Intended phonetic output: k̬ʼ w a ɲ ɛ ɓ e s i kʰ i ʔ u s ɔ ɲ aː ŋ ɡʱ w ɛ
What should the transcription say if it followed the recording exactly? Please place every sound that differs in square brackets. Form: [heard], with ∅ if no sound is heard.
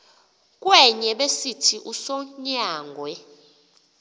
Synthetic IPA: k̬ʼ w [ɛ] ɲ ɛ ɓ e s i [tʰ] i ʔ u s ɔ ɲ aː ŋ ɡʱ w ɛ